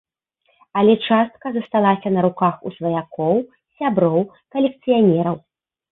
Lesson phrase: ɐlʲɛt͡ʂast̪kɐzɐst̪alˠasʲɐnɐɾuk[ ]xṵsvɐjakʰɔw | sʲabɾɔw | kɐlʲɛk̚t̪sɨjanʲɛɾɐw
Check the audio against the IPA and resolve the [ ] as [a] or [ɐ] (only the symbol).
a